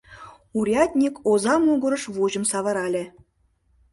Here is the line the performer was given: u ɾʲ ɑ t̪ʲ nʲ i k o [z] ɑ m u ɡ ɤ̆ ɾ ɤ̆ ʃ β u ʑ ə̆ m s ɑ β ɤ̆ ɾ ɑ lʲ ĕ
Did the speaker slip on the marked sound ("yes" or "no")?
no